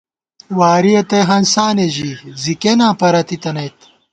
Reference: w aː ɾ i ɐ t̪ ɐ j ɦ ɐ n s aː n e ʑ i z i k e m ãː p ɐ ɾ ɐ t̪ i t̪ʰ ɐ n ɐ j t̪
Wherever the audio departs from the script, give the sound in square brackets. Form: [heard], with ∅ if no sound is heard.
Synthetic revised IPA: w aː ɾ i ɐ t̪ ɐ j ɦ ɐ n s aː n e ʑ i z i k e [n] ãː p ɐ ɾ ɐ t̪ i [t̪] ɐ n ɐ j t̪